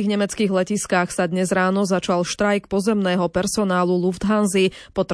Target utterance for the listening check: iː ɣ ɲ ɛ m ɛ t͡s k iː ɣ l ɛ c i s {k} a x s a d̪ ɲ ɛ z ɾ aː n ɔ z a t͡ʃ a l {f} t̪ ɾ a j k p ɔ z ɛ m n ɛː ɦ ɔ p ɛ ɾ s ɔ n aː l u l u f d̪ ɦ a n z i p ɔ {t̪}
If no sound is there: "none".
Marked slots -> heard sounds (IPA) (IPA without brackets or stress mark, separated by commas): k, ʃ, t̪